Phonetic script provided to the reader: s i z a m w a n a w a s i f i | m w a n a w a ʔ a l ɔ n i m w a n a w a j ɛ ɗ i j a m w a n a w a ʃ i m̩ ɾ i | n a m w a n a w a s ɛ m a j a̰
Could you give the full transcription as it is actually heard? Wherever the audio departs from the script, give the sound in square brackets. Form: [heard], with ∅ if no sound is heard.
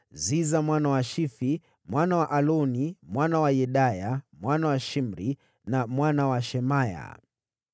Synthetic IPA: [z] i z a m w a n a w a [ʃ] i f i | m w a n a w a ʔ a l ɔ n i m w a n a w a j ɛ ɗ [a] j a m w a n a w a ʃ i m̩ ɾ i | n a m w a n a w a [ʃ] ɛ m a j a̰